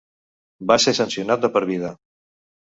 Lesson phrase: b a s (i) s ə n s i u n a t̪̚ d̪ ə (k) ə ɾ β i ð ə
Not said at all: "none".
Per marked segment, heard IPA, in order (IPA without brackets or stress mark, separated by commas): e, p